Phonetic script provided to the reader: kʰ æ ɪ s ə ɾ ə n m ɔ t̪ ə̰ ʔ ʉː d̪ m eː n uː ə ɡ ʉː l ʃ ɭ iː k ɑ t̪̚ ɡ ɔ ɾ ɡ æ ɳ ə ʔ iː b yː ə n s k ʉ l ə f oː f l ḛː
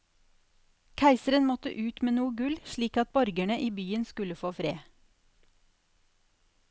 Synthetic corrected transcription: kʰ æ ɪ s ə ɾ ə n m ɔ t̪ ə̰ ʔ ʉː t̪ m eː n uː ə ɡ ʉ l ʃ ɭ iː k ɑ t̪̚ b ɔ ɾ ɡ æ ɳ ə ʔ iː b yː ə n s k ʉ l ə f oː f ɾ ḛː